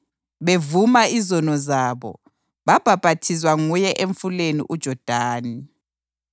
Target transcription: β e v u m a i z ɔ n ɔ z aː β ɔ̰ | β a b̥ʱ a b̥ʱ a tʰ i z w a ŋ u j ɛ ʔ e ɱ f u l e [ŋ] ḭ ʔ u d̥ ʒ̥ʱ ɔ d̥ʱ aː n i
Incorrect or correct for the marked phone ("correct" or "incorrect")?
incorrect